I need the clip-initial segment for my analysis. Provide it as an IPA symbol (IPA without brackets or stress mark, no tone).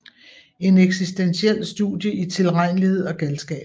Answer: e̝